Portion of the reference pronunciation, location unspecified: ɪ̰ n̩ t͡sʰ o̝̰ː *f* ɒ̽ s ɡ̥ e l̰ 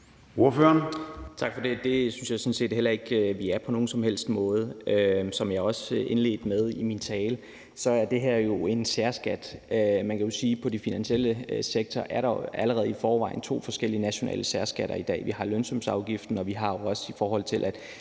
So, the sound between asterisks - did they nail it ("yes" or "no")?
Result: yes